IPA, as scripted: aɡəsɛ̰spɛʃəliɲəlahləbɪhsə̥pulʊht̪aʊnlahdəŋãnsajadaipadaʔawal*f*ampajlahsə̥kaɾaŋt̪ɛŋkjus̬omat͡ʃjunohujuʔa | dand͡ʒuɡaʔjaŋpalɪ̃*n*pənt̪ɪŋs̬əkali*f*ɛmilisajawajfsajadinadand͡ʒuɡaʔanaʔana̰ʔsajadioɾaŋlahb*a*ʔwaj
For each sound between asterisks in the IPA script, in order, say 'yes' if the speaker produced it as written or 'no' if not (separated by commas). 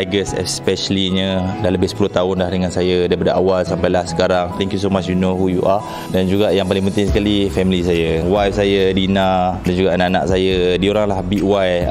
no, no, yes, no